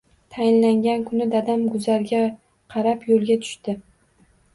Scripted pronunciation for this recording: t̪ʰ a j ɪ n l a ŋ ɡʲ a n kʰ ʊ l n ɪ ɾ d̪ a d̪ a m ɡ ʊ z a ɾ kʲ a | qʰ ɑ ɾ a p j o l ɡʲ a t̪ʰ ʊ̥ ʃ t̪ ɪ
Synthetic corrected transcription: t̪ʰ a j ɪ n l a ŋ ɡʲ a n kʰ ʊ n ɪ d̪ a d̪ a m ɡ ʊ z a ɾ ɡʲ a | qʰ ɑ ɾ a p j o l ɡʲ a t̪ʰ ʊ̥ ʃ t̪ ɪ